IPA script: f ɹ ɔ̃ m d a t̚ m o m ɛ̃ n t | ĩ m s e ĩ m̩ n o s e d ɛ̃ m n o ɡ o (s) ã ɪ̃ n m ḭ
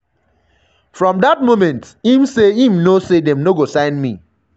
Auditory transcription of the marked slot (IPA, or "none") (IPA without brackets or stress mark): s